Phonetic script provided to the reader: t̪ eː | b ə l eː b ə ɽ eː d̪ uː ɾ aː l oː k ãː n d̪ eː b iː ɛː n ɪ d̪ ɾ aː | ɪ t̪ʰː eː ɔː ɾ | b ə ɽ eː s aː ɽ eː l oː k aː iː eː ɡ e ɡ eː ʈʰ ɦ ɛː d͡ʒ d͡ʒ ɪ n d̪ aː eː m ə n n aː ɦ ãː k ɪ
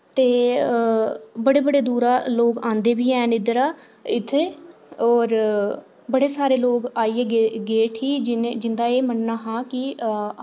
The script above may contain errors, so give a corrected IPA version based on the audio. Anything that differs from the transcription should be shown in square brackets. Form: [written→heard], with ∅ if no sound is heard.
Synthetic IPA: t̪ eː | b ə [l→ɽ] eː b ə ɽ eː d̪ uː ɾ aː l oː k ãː n d̪ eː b iː ɛː n ɪ d̪ ɾ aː | ɪ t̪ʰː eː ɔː ɾ | b ə ɽ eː s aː [ɽ→ɾ] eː l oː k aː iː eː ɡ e ɡ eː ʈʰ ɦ [ɛː→iː] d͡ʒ d͡ʒ ɪ n d̪ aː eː m ə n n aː ɦ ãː k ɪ